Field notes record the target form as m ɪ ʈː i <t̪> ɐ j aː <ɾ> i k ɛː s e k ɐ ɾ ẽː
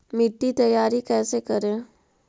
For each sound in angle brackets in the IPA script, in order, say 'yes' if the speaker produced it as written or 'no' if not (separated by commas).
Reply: yes, yes